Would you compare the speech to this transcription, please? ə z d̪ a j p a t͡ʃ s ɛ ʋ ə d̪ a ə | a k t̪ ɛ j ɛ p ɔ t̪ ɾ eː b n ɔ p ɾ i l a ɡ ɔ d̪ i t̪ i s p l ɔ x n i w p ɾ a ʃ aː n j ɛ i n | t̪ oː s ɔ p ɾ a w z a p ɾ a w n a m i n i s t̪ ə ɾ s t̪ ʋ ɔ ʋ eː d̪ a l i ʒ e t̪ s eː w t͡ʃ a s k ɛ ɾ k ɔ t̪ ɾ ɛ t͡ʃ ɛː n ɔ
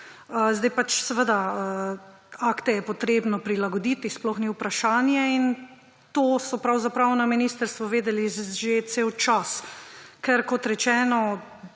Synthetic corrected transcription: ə z d̪ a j p a t͡ʃ s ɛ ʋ ə d̪ a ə | a k t̪ ɛ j ɛ p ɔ t̪ ɾ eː b n ɔ p ɾ i l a ɡ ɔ d̪ i t̪ i s p l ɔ x n i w p ɾ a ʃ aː n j ɛ i n | t̪ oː s ɔ p ɾ a w z a p ɾ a w n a m i n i s t̪ ə ɾ s t̪ ʋ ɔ ʋ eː d̪ ɛ l i ʒ e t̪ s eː w t͡ʃ a s k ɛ ɾ k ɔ t̪ ɾ ɛ t͡ʃ ɛː n ɔ